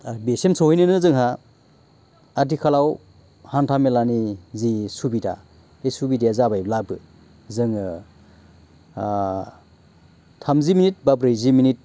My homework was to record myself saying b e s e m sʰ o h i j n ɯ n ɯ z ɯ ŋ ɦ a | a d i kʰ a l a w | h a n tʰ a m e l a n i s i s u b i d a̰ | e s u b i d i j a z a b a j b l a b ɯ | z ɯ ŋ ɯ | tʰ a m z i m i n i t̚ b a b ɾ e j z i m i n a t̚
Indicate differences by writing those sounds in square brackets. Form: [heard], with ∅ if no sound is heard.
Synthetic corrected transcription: b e s e m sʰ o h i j n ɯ n ɯ z ɯ ŋ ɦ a | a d i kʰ a l a w | h a n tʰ a m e l a n i [z] i s u b i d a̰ | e s u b i d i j a z a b a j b l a b ɯ | z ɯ ŋ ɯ | tʰ a m z i m i n i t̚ b a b ɾ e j z i m i n [i] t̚